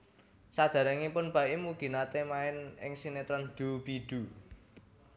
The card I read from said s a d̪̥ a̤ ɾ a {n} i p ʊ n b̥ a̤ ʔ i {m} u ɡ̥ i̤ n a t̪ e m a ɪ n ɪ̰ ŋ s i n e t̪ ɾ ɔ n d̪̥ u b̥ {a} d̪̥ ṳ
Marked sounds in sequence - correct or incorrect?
incorrect, correct, incorrect

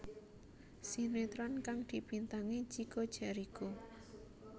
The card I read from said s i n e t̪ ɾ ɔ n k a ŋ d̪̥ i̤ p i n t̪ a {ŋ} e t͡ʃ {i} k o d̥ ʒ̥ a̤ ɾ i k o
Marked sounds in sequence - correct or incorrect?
correct, correct

